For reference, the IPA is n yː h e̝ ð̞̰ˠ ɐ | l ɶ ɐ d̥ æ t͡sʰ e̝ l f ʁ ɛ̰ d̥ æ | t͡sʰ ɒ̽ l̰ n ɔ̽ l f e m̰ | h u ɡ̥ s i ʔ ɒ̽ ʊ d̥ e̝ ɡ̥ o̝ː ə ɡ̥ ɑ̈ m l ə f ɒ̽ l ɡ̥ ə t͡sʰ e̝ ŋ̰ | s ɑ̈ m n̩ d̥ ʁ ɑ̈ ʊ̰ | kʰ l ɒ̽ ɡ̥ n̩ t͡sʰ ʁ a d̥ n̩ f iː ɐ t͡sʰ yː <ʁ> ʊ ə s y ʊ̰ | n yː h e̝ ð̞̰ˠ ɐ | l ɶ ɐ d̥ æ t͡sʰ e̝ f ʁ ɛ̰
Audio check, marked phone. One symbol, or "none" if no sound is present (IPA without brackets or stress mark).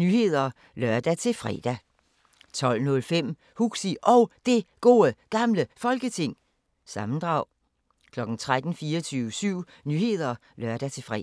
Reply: none